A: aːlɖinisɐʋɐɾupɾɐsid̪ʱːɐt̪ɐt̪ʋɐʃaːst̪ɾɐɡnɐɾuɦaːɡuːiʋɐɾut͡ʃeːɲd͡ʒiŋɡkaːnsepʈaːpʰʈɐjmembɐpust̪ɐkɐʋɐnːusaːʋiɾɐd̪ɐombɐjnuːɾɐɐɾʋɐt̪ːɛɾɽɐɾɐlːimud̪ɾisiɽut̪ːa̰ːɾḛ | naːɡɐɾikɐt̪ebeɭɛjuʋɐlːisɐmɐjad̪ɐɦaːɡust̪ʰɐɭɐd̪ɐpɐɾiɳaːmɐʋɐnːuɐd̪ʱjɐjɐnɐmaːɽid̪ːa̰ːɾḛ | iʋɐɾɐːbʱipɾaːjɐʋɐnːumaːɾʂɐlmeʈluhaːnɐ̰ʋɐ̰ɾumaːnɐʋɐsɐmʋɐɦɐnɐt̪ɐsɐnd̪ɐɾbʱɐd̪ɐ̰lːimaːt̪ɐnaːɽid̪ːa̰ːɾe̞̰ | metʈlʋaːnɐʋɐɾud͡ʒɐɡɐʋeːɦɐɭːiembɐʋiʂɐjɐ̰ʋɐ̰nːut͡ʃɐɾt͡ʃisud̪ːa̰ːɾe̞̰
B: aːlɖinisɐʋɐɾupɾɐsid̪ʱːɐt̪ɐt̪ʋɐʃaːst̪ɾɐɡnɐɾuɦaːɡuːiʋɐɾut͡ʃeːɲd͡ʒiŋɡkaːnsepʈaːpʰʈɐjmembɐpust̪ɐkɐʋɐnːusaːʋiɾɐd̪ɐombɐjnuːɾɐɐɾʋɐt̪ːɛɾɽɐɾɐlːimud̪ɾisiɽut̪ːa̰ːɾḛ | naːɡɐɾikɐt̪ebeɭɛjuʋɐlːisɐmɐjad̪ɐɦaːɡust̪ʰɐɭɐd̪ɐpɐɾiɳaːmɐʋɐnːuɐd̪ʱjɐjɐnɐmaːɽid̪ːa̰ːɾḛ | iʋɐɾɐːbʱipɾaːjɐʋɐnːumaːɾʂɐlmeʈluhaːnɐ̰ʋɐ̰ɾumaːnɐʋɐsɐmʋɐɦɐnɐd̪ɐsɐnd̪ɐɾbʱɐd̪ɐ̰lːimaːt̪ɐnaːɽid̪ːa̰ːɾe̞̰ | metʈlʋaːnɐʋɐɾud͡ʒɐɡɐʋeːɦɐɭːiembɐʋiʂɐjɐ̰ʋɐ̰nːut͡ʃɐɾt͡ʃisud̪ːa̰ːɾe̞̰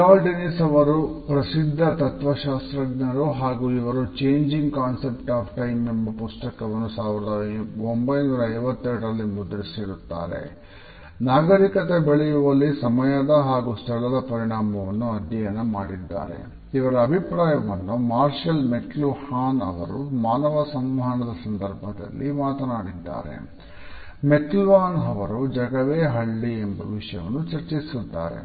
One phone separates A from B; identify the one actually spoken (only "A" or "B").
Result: B